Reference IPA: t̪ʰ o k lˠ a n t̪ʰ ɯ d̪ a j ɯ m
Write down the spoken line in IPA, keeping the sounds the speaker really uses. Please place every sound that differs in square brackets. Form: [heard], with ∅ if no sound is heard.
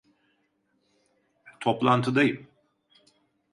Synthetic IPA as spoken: t̪ʰ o [p] lˠ a n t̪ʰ ɯ d̪ a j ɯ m